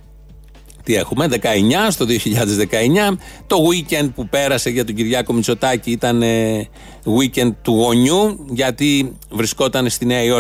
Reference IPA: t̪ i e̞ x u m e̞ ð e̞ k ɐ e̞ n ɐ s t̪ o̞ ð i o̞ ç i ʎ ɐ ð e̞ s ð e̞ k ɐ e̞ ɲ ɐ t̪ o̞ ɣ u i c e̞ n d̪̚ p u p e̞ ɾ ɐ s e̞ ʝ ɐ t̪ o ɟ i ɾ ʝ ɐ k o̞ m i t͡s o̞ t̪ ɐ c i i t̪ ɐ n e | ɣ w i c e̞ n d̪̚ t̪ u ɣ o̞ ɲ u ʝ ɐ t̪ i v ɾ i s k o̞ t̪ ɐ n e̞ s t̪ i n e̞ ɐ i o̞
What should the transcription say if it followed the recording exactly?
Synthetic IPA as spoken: t̪ i e̞ x u m e̞ ð e̞ k ɐ e̞ ɲ ɐ s t̪ o̞ ð i o̞ ç i ʎ ɐ ð e̞ z ð e̞ k ɐ e̞ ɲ ɐ t̪ o̞ ɣ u i c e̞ n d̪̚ p u p e̞ ɾ ɐ s e̞ ʝ ɐ t̪ o ɟ i ɾ ʝ ɐ k o̞ m i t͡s o̞ t̪ ɐ c i i t̪ ɐ n e | ɣ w i c e̞ n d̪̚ t̪ u ɣ o̞ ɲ u ʝ ɐ t̪ i v ɾ i s k o̞ t̪ ɐ n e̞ s t̪ i n e̞ ɐ i o̞